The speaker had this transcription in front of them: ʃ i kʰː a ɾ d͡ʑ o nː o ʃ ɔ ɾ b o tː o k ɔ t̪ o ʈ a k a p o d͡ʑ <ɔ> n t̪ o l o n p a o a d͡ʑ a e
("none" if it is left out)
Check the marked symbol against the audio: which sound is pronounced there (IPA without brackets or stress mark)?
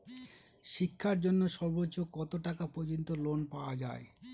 o